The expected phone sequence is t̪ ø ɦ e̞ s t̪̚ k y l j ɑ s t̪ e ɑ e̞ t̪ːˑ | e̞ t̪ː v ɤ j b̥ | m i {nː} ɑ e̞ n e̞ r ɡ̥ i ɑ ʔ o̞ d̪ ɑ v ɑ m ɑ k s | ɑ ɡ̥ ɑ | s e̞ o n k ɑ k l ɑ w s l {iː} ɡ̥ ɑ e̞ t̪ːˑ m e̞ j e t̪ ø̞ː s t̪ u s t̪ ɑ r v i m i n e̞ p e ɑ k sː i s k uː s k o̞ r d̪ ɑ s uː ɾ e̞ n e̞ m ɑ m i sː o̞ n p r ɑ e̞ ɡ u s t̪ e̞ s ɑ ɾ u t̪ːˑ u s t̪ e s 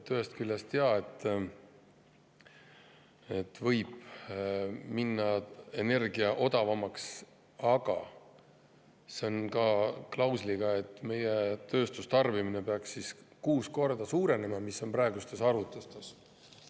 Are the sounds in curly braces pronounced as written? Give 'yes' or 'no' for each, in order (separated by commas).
yes, no